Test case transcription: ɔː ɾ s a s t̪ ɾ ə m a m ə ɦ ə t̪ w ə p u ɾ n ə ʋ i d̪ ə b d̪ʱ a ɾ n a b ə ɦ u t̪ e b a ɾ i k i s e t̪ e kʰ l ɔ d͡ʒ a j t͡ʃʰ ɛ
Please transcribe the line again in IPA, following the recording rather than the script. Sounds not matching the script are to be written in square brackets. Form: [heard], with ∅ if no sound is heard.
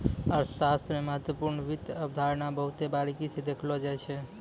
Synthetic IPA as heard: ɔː ɾ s a s t̪ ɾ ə m [e] m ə ɦ ə t̪ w ə p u ɾ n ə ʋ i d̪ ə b d̪ʱ a ɾ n a b ə ɦ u t̪ e b a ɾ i k i s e [d̪] e kʰ l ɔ d͡ʒ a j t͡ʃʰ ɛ